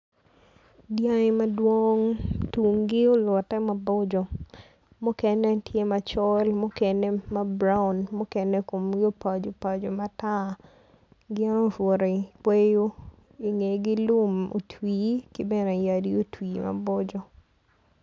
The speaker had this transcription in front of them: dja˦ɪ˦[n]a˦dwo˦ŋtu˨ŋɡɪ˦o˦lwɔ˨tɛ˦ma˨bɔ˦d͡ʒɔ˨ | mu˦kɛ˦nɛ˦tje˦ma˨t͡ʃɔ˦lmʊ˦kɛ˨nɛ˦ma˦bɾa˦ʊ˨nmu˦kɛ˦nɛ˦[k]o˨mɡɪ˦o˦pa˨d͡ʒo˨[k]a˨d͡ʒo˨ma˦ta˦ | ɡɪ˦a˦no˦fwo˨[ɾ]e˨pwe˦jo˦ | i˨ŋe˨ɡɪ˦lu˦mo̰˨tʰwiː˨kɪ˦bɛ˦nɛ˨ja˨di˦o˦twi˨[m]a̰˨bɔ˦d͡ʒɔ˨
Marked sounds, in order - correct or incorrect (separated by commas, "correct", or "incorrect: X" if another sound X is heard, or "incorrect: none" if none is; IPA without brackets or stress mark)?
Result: incorrect: m, correct, incorrect: p, correct, correct